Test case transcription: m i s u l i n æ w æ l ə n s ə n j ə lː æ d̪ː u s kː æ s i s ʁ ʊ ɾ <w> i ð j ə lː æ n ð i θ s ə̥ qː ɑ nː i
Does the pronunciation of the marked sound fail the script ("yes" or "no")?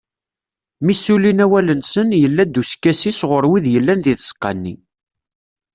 no